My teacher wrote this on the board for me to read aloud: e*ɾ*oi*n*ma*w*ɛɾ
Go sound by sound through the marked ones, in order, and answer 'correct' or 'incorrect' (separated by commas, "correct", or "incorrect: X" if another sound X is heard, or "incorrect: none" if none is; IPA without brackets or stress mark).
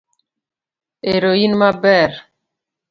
correct, correct, incorrect: b